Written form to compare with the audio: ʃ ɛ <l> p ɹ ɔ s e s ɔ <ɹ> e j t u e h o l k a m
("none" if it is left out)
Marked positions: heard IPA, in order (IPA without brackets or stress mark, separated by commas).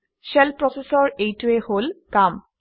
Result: l, ɹ